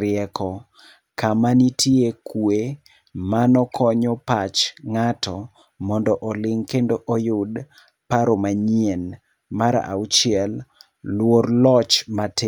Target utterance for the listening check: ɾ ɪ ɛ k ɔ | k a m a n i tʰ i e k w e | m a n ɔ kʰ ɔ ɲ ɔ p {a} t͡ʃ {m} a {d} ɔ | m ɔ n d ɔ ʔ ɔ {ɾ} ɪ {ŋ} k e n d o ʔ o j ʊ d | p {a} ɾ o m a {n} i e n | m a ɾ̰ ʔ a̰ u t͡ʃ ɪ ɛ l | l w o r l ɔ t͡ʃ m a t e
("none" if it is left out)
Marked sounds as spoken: a, ŋ, t, l, ŋ, a, ɲ

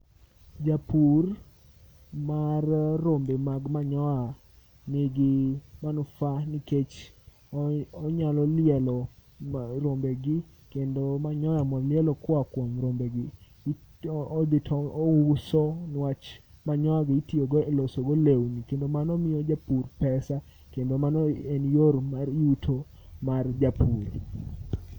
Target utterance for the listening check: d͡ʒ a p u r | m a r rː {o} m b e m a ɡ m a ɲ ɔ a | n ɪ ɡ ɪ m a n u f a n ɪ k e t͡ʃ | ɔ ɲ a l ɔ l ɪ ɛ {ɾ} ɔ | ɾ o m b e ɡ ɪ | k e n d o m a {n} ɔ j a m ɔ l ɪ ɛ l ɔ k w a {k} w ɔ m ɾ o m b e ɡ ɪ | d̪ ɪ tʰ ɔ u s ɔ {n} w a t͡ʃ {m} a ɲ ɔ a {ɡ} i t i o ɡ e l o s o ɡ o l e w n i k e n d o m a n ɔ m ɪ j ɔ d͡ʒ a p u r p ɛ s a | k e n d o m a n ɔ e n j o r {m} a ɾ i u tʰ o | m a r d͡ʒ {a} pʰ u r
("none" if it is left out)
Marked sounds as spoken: o, l, ɲ, k, n, m, ɡ, m, a

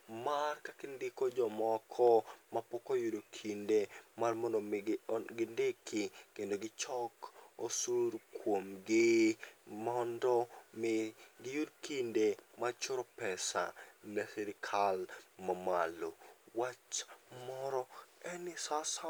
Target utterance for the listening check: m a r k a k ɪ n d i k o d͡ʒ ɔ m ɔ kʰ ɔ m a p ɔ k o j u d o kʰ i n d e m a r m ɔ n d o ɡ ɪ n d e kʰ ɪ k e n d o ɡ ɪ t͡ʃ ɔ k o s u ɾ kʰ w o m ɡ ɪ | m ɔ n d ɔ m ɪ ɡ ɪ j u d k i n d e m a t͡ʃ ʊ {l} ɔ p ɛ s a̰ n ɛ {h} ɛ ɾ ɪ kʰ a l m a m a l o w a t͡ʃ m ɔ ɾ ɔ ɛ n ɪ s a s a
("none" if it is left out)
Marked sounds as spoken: ɾ, s

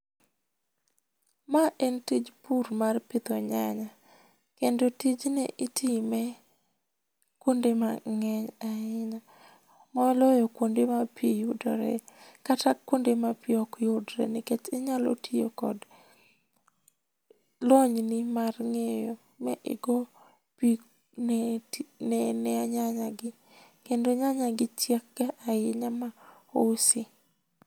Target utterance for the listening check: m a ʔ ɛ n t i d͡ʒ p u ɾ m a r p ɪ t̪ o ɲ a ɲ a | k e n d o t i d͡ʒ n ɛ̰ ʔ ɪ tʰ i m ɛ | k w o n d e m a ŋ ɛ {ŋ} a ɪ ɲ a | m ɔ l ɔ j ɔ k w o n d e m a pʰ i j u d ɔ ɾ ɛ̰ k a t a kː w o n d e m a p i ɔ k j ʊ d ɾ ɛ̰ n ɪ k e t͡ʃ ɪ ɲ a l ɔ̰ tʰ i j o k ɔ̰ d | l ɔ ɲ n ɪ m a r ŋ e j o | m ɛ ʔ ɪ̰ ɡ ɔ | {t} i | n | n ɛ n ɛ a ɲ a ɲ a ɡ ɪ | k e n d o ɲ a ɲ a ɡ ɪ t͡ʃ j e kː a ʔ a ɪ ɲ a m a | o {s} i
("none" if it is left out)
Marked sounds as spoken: ɲ, p, s

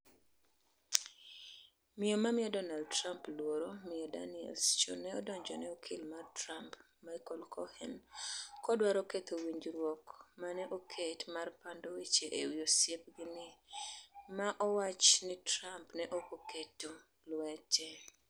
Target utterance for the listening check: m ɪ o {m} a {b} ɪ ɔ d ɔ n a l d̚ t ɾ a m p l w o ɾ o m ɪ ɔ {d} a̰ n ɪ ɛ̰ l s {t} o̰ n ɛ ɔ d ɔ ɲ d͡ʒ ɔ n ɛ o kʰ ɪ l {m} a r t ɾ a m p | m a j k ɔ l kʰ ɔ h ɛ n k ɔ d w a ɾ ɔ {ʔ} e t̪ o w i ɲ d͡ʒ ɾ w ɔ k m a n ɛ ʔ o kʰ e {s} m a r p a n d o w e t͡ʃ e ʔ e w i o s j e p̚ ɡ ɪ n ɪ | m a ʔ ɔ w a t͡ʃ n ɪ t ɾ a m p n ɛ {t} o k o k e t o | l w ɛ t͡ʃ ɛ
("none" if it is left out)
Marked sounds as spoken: m, m, d, t͡ʃ, m, k, t, ʔ

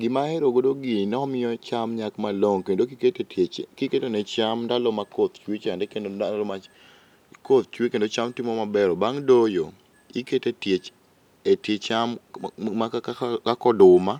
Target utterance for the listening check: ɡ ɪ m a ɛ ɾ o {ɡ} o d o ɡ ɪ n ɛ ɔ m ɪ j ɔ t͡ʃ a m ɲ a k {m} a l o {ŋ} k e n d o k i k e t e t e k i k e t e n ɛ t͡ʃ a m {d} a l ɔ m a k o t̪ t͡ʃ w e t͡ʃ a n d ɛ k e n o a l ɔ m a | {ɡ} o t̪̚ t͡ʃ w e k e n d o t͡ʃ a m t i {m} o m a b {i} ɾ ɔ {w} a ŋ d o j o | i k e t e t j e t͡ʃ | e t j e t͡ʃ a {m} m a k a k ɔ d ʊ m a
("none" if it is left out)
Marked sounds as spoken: ɡ, m, ŋ, d, k, m, ɛ, b, m

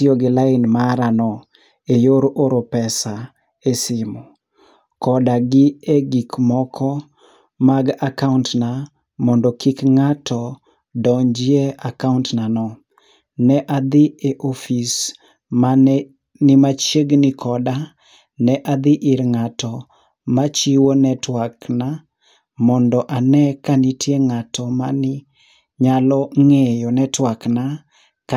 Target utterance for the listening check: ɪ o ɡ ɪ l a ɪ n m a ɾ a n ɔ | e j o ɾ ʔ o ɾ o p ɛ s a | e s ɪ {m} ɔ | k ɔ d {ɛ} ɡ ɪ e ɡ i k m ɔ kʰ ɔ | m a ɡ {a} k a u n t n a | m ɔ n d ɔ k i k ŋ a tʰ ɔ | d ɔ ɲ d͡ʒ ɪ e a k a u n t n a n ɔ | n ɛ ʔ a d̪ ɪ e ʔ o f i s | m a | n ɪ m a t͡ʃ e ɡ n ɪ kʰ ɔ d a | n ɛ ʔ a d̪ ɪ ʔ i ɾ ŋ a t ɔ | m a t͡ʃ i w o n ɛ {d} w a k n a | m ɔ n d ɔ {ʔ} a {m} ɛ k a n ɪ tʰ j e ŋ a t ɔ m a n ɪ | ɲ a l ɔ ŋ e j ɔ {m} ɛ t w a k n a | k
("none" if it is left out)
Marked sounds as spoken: m, a, a, t, ʔ, n, n

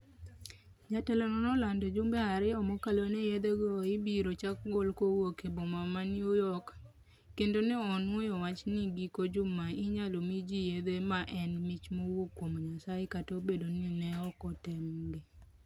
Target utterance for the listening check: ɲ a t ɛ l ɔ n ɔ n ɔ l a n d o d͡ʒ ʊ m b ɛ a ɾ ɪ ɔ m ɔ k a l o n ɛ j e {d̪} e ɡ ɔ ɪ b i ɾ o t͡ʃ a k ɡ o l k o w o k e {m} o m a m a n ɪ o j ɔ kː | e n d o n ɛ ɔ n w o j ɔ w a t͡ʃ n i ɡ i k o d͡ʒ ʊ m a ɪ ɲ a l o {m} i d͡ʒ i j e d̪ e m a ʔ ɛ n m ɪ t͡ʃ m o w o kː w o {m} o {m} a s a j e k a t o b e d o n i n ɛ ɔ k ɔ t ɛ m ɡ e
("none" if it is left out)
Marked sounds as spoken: d̪, b, m, m, ɲ

